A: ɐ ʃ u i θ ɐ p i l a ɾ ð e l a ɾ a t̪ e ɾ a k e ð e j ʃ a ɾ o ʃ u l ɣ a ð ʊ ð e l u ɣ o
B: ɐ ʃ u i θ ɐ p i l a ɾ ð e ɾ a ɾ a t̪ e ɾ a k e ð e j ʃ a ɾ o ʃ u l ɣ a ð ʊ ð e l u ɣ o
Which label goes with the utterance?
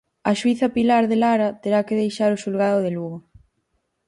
A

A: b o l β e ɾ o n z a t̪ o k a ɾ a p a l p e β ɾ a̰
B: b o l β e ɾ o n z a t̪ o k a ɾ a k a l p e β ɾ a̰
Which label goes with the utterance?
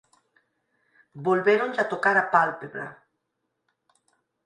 A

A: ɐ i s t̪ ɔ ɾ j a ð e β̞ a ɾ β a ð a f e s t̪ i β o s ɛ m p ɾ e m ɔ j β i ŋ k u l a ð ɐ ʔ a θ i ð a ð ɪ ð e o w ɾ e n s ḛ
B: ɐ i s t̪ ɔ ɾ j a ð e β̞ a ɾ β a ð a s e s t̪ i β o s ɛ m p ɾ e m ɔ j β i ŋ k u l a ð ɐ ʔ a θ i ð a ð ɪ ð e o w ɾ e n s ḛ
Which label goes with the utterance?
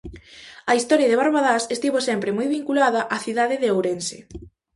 B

